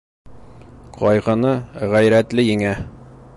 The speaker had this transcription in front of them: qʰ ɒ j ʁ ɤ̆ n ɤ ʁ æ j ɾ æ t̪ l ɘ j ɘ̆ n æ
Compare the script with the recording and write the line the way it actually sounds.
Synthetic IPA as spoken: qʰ ɒ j ʁ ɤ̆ n ɤ ʁ æ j ɾ æ t̪ l ɘ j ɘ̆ ŋ æ